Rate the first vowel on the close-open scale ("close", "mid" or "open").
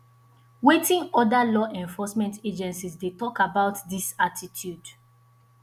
mid